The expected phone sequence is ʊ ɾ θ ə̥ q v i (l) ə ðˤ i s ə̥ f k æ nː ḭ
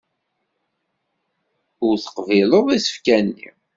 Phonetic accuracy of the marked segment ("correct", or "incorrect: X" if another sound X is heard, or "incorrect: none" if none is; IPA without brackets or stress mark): correct